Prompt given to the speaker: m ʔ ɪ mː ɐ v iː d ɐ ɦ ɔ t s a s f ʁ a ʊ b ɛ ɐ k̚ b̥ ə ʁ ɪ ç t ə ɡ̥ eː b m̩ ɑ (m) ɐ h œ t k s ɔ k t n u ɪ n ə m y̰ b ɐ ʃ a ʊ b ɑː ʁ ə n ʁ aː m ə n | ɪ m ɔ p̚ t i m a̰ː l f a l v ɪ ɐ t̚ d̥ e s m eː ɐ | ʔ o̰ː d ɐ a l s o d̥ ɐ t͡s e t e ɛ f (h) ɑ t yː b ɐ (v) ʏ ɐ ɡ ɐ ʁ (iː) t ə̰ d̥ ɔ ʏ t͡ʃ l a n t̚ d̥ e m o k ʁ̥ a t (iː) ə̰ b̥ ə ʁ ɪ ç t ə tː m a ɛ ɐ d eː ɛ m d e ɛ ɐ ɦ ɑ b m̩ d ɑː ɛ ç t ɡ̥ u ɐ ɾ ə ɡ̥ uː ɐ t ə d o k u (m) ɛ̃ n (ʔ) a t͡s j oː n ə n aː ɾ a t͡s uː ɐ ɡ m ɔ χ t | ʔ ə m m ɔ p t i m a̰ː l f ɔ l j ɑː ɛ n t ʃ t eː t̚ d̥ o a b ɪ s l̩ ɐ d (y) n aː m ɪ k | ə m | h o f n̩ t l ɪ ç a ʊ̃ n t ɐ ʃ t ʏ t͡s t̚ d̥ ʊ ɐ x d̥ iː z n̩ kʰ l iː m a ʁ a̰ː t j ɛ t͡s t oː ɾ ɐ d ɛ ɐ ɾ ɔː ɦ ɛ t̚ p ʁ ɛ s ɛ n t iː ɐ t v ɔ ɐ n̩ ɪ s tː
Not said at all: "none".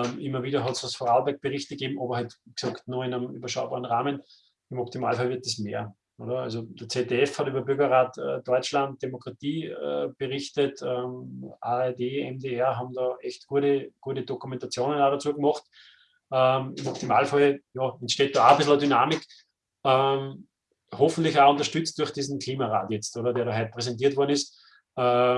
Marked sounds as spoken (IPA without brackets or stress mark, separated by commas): b, h, b, aː, iː, m, t, y